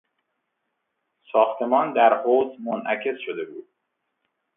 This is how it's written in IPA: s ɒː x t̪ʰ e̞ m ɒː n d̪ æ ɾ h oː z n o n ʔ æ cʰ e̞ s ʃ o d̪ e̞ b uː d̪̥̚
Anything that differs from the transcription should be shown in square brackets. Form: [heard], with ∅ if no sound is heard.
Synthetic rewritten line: s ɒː x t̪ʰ e̞ m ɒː n d̪ æ ɾ h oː z [m] o n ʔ æ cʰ e̞ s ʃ o d̪ e̞ b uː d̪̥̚

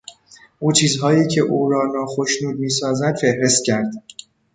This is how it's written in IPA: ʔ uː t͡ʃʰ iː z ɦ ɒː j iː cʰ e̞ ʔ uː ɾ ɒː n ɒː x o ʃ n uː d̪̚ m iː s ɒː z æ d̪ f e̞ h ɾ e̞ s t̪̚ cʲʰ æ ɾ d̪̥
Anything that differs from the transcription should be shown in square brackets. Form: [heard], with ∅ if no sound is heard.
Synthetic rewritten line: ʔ uː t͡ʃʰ iː z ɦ ɒː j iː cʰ e̞ ʔ uː ɾ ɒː n ɒː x o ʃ n uː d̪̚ m iː s ɒː z æ d̪ f e̞ h ɾ e̞ s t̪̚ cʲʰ æ ɾ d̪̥

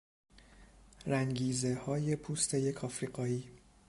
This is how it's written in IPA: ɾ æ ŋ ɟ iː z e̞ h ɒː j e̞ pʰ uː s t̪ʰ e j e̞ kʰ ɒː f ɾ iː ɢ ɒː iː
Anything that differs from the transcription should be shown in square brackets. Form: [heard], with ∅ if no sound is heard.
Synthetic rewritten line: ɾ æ ŋ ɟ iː z e̞ h ɒː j e̞ pʰ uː s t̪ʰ e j e̞ kʰ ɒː f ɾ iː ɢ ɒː iː

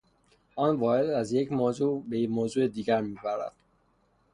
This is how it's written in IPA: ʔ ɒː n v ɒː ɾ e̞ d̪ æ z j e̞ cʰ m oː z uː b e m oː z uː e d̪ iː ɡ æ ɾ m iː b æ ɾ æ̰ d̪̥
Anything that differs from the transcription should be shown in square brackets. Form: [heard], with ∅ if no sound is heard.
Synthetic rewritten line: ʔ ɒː n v ɒː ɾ e̞ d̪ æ z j e̞ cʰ m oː z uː b e m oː z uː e d̪ iː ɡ æ ɾ m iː b æ ɾ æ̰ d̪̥

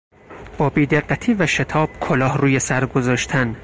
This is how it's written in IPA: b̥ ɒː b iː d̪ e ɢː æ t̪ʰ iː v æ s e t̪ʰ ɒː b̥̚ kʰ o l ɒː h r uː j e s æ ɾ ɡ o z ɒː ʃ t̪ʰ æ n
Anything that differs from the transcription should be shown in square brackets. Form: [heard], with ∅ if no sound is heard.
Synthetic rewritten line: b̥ ɒː b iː d̪ e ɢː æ t̪ʰ iː v æ [ʃ] e t̪ʰ ɒː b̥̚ kʰ o l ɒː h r uː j e s æ ɾ ɡ o z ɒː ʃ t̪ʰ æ n

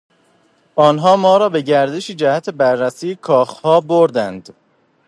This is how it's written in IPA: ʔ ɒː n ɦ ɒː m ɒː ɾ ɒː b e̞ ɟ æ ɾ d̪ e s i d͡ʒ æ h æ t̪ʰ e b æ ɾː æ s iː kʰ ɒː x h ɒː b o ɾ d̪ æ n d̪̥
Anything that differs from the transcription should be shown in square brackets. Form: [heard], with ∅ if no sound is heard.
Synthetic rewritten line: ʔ ɒː n ɦ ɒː m ɒː ɾ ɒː b e̞ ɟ æ ɾ d̪ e [ʃ] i d͡ʒ æ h æ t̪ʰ e b æ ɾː æ s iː kʰ ɒː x h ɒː b o ɾ d̪ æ n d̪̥

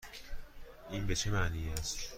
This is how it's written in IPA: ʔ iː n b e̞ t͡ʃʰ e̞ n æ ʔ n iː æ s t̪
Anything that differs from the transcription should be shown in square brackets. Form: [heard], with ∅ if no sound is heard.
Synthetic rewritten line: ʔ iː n b e̞ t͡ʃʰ e̞ [m] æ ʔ n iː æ s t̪

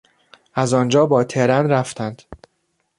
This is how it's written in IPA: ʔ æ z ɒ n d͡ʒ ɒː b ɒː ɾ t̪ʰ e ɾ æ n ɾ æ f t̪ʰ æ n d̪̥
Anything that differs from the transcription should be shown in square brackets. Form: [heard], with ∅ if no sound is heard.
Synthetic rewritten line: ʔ æ z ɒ n d͡ʒ ɒː b ɒː [∅] t̪ʰ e ɾ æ n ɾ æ f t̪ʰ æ n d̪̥

